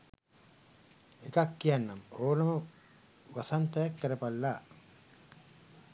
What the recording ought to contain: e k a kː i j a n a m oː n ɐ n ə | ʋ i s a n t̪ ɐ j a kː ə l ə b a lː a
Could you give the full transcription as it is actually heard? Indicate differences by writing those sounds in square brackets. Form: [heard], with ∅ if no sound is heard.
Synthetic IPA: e k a kː i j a [nː] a m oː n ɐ [m] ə | ʋ [a] s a n t̪ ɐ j a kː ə [ɾ] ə [p] a lː a